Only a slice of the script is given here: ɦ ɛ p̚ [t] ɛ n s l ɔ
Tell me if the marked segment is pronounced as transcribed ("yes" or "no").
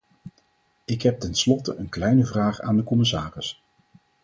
yes